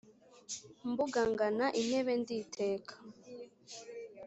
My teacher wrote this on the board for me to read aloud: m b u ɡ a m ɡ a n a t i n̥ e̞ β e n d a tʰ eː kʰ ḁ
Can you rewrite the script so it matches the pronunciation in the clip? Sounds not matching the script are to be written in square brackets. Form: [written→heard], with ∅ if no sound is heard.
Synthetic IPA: m b u ɡ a [m→ŋ] ɡ a n a [t→ʔ] i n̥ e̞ β e n d [a→i] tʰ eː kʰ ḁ

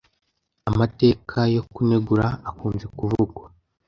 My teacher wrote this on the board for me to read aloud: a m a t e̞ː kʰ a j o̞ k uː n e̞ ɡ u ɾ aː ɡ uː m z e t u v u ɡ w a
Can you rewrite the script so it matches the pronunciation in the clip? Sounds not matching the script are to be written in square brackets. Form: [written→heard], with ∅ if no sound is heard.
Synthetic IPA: a m a t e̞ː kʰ a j o̞ k [uː→u] n e̞ ɡ u ɾ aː [ɡ→k] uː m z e [t→k] u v u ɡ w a

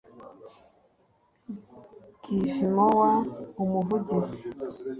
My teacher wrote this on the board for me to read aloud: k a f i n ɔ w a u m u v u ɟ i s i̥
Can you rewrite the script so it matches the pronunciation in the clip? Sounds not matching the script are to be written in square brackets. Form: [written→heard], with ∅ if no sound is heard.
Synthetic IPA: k [a→i] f i [n→m] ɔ w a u m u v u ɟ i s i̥

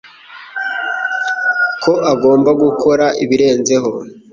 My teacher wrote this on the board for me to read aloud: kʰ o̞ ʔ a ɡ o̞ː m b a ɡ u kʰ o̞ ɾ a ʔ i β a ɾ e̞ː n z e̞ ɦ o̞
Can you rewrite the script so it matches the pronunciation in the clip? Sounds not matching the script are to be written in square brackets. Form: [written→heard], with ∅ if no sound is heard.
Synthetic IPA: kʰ o̞ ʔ a ɡ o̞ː m b a ɡ u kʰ o̞ ɾ a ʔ i β [a→i] ɾ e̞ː n z e̞ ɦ o̞

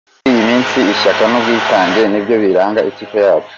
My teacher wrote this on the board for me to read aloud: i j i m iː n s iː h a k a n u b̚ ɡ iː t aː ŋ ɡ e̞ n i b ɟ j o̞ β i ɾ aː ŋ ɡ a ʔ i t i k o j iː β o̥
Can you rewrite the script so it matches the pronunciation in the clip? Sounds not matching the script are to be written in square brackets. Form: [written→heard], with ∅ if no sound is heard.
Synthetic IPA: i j i m iː n s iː [h→ʃ] a k a n u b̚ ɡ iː t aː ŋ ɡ e̞ n i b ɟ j o̞ β i ɾ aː ŋ ɡ a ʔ i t i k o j [iː→aː] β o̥

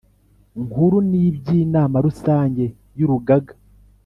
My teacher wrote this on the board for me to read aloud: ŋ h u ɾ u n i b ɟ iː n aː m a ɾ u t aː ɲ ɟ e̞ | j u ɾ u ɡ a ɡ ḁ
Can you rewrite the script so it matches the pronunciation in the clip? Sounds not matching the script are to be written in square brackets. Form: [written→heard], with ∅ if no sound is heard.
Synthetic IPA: ŋ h u ɾ u n i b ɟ iː n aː m a ɾ u [t→s] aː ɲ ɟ e̞ | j u ɾ u ɡ a ɡ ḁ

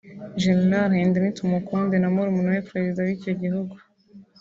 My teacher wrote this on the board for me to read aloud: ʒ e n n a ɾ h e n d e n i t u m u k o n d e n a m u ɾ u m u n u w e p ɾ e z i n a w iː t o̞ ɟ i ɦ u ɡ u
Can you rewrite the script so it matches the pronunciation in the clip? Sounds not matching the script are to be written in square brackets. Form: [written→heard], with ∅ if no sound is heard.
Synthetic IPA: ʒ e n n a ɾ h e n d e n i t u m u k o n d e n a m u ɾ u m u n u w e p ɾ e z i [n→d] a w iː [t→c] o̞ ɟ i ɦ u ɡ u

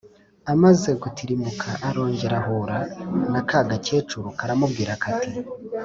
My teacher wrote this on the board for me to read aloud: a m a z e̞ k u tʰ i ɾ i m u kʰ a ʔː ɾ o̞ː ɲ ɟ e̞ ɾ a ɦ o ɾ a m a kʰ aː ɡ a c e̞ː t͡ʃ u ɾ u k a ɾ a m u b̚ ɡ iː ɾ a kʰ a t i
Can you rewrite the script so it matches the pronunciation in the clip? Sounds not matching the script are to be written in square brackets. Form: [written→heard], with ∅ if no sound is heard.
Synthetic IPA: a m a z e̞ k u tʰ i ɾ i m u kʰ a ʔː ɾ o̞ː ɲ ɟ e̞ ɾ a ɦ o ɾ a [m→n] a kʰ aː ɡ a c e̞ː t͡ʃ u ɾ u k a ɾ a m u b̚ ɡ iː ɾ a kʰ a t i

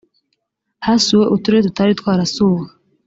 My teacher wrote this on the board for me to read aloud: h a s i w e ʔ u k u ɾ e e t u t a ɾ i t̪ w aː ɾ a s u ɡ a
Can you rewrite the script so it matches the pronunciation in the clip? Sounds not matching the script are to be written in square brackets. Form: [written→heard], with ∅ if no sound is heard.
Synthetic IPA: h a s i w e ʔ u [k→t] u ɾ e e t u t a ɾ i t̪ w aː ɾ a s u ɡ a

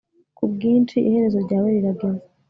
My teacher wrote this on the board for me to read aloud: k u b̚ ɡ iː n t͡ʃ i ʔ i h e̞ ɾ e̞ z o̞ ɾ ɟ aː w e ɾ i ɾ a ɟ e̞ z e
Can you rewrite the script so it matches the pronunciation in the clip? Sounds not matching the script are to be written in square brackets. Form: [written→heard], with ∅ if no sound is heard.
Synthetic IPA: k u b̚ ɡ iː n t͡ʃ i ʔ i h e̞ ɾ e̞ z o̞ ɾ ɟ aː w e ɾ i ɾ a [ɟ→ɡ] e̞ z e

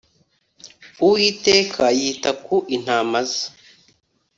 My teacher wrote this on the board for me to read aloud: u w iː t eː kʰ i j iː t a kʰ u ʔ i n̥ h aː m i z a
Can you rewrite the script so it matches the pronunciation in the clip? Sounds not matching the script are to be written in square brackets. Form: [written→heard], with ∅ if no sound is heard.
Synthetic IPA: u w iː t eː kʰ [i→a] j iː t a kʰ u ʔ i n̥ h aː m [i→a] z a

